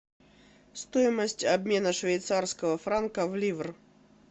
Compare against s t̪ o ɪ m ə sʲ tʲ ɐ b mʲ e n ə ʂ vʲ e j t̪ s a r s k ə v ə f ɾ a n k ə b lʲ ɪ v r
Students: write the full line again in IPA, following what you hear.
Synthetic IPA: s t̪ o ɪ m ə sʲ tʲ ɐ b mʲ e n ə ʂ vʲ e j t̪ s a r s k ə v ə f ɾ a n k ə v lʲ i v r